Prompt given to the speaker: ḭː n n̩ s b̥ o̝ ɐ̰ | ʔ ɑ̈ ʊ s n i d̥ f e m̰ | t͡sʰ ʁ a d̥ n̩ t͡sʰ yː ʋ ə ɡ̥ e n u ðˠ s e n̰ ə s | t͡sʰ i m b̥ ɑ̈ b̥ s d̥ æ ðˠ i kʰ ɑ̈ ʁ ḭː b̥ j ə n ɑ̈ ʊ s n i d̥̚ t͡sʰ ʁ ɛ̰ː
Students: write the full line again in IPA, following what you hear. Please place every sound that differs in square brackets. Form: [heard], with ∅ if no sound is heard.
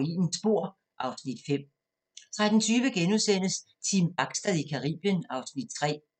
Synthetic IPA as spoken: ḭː n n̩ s b̥ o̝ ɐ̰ | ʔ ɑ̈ ʊ s n i d̥ f e m̰ | t͡sʰ ʁ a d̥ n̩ t͡sʰ yː ʋ ə ɡ̥ e n u ðˠ s e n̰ ə s | t͡sʰ i m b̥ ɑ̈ [ɡ̥] s d̥ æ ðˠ i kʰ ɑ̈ ʁ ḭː b̥ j ə n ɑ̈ ʊ s n i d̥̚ t͡sʰ ʁ ɛ̰ː